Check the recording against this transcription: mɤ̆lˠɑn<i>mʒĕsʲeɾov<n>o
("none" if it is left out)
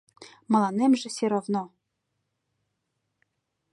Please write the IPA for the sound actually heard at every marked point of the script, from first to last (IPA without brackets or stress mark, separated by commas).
e, n